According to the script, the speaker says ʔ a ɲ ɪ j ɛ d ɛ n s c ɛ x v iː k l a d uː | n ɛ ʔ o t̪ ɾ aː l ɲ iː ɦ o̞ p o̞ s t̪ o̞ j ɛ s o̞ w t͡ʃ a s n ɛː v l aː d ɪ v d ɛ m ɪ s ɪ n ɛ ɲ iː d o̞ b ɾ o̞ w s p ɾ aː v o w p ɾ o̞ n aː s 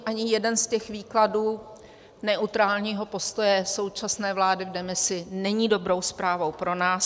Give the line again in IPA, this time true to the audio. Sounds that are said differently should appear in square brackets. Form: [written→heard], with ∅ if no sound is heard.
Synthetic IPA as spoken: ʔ a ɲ ɪ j ɛ d ɛ n s c ɛ x v iː k l a d uː | n ɛ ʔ [o→u] t̪ ɾ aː l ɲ iː ɦ o̞ p o̞ s t̪ o̞ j ɛ s o̞ w t͡ʃ a s n ɛː v l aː d ɪ v d ɛ m ɪ s ɪ n ɛ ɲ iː d o̞ b ɾ o̞ w s p ɾ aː v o w p ɾ o̞ n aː s

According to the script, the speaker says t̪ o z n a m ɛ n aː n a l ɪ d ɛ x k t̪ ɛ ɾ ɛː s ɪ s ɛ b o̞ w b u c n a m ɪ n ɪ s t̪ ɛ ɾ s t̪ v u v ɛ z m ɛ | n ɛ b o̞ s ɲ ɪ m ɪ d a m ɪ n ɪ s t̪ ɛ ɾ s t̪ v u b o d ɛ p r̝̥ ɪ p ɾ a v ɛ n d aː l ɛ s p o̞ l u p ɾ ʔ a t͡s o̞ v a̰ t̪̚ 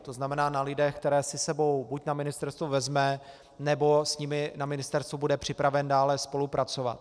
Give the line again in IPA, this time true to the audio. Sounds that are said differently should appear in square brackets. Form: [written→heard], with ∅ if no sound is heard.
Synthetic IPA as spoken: t̪ o z n a m ɛ n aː n a l ɪ d ɛ x k t̪ ɛ ɾ ɛː s ɪ s ɛ b o̞ w b u c n a m ɪ n ɪ s t̪ ɛ ɾ s t̪ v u v ɛ z m ɛ | n ɛ b o̞ s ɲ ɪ m ɪ [d→n] a m ɪ n ɪ s t̪ ɛ ɾ s t̪ v u b [o→u] d ɛ p r̝̥ ɪ p ɾ a v ɛ n d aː l ɛ s p o̞ l u p ɾ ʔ a t͡s o̞ v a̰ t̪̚

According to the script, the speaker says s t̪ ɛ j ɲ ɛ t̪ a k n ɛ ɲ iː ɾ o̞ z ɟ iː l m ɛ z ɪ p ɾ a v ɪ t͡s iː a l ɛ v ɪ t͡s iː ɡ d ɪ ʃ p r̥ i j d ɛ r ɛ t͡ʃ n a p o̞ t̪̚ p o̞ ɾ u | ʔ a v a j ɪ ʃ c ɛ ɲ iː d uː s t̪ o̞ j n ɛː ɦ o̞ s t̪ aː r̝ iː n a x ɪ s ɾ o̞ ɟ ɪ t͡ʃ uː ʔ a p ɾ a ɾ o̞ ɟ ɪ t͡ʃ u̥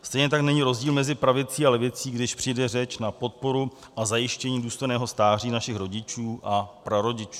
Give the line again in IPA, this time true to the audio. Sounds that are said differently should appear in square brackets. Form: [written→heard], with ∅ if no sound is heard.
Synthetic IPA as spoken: s t̪ ɛ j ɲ ɛ t̪ a k n ɛ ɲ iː ɾ o̞ z ɟ iː l m ɛ z ɪ p ɾ a v ɪ t͡s iː a l ɛ v ɪ t͡s iː ɡ d ɪ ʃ p r̥ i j d ɛ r ɛ t͡ʃ n a p o̞ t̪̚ p o̞ ɾ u | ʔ a [v→z] a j ɪ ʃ c ɛ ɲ iː d uː s t̪ o̞ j n ɛː ɦ o̞ s t̪ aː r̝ iː n a [x→ʃ] ɪ [s→x] ɾ o̞ ɟ ɪ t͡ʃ uː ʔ a p ɾ a ɾ o̞ ɟ ɪ t͡ʃ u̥

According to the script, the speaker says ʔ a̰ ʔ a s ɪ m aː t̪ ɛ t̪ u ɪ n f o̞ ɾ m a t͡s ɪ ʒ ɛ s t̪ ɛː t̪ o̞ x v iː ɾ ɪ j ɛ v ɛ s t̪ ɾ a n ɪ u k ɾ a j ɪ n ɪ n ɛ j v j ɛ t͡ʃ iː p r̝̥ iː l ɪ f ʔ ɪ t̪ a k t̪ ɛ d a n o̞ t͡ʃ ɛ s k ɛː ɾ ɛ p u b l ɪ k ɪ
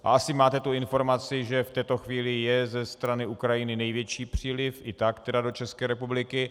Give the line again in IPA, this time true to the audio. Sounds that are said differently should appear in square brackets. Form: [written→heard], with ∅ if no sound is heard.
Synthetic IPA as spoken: ʔ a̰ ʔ a s ɪ m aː t̪ ɛ t̪ u ɪ n f o̞ ɾ m a t͡s ɪ ʒ ɛ [s→f] t̪ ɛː t̪ o̞ x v iː [ɾ→l] ɪ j ɛ [v→z] ɛ s t̪ ɾ a n ɪ u k ɾ a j ɪ n ɪ n ɛ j v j ɛ t͡ʃ iː p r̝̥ iː l ɪ f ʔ ɪ t̪ a k t̪ ɛ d a [n→d] o̞ t͡ʃ ɛ s k ɛː ɾ ɛ p u b l ɪ k ɪ

